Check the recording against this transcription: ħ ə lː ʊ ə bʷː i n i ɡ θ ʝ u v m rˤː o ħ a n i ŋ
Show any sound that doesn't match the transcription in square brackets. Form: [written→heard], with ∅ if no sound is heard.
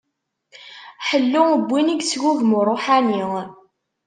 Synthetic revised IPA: ħ ə lː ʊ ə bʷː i n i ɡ [θ→s] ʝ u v m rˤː o ħ a n i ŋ